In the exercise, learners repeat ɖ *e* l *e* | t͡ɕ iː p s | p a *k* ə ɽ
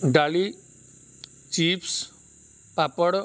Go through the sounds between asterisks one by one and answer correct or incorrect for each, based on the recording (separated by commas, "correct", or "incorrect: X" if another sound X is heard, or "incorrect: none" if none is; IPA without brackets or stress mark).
incorrect: a, incorrect: i, incorrect: p